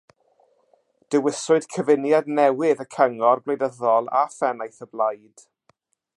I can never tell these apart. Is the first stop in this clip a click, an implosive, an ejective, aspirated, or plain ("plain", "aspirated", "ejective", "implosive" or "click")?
plain